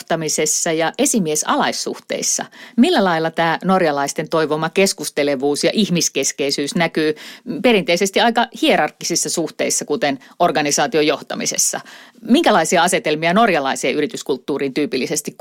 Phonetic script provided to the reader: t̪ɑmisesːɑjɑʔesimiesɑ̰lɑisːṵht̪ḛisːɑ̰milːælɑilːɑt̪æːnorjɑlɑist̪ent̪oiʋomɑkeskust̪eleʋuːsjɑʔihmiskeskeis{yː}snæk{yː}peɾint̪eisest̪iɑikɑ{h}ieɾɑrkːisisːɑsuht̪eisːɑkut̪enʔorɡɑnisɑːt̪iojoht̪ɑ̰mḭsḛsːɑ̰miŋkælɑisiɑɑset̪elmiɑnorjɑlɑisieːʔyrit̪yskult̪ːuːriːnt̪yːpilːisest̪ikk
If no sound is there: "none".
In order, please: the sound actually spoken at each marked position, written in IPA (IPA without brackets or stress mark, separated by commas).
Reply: yː, yː, h